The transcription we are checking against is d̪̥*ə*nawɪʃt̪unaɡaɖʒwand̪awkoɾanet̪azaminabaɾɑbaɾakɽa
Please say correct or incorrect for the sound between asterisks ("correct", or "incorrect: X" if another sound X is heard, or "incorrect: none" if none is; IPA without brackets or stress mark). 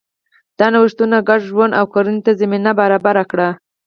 incorrect: ɑ